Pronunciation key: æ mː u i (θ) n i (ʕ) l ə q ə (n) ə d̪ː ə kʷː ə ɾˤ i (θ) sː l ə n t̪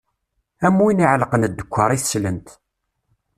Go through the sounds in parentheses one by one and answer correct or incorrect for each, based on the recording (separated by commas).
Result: incorrect, correct, correct, correct